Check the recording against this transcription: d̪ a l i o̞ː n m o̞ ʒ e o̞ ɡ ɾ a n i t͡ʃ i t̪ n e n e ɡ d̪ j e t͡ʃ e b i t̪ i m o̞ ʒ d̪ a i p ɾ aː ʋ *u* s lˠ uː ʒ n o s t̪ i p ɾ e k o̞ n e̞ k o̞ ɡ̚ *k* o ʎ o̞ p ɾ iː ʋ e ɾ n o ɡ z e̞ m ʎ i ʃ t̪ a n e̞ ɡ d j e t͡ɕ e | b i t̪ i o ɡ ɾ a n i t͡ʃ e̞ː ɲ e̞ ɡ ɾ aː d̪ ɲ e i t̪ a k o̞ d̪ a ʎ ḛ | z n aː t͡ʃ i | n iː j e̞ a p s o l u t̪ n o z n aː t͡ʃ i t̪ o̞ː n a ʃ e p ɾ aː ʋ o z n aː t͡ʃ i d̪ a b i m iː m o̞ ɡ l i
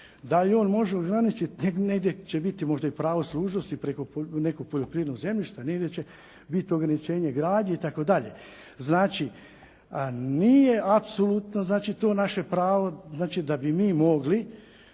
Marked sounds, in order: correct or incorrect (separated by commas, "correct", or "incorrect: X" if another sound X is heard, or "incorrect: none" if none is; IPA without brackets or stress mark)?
incorrect: o, incorrect: p